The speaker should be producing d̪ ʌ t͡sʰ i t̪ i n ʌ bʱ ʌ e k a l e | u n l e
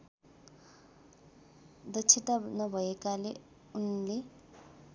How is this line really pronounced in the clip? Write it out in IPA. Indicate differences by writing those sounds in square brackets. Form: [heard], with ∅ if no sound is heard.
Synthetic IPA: d̪ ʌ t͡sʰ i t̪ [a] n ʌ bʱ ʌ e k a l e | u n l e